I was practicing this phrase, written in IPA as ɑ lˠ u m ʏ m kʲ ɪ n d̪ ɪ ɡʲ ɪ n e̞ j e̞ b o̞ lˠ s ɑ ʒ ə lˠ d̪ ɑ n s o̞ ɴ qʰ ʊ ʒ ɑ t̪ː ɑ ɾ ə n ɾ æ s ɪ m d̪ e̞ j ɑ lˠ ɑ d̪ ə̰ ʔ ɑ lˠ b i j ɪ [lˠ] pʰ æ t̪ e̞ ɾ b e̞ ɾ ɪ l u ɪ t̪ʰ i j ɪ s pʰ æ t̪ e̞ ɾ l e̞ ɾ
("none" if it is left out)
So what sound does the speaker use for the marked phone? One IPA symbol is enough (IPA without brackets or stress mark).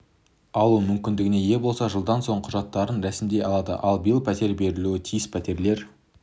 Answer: lˠ